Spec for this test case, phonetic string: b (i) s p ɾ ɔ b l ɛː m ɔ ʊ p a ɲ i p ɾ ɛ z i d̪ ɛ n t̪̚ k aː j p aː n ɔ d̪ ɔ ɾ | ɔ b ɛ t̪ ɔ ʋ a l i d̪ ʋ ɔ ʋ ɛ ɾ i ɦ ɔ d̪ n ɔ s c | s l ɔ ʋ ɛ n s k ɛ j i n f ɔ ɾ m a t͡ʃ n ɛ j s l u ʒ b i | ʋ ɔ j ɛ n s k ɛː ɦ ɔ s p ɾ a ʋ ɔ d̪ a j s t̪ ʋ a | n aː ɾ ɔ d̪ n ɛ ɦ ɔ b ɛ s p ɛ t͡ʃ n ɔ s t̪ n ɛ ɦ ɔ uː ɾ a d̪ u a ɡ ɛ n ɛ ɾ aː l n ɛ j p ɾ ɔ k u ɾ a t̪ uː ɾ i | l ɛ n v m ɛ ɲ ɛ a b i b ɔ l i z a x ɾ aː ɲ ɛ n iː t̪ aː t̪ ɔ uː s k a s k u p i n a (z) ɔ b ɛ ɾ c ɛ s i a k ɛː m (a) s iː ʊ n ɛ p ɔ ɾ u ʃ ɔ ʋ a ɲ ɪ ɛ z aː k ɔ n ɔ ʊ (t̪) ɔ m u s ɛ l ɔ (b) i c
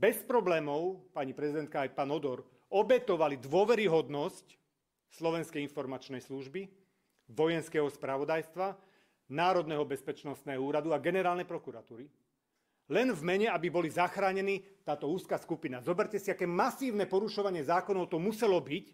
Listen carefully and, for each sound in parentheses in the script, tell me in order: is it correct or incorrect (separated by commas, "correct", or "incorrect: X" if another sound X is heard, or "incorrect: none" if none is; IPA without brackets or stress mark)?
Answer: incorrect: ɛ, correct, correct, correct, correct